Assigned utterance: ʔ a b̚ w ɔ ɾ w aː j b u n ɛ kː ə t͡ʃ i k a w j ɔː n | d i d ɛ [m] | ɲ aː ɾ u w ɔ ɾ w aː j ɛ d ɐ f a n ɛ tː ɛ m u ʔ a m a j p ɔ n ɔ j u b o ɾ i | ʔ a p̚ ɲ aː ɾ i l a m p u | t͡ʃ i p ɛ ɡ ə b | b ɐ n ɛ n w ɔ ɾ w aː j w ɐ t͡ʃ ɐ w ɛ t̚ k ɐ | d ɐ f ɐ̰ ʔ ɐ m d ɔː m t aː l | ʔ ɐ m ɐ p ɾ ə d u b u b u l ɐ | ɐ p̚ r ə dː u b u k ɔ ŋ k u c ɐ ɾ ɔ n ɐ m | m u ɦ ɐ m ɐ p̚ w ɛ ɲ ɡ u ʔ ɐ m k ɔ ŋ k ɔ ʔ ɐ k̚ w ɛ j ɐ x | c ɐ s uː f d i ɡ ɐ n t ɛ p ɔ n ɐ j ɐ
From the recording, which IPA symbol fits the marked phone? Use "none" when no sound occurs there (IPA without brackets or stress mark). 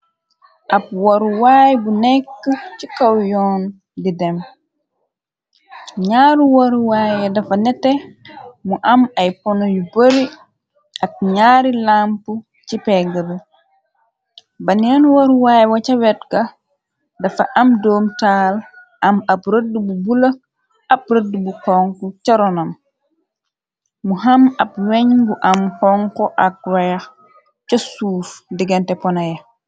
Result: m